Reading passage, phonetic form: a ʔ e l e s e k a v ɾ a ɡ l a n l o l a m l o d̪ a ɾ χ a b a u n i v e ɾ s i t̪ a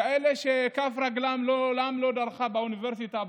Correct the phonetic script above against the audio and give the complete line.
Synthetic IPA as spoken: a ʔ e l e ʃ e k a f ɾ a ɡ l a m l o l a m l o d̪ a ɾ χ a b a u n i v e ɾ s i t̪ a